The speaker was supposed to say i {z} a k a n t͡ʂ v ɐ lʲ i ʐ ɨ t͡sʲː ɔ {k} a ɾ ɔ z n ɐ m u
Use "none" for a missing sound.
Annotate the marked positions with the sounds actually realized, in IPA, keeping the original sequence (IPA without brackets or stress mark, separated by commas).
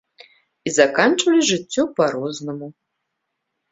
z, p